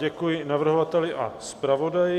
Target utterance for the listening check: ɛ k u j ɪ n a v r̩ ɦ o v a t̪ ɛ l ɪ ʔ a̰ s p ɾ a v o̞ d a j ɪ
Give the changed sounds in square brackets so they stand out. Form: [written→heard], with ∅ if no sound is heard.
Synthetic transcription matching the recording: ɛ k u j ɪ n a v r̩ ɦ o v a t̪ ɛ l ɪ ʔ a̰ s p ɾ a v o̞ d a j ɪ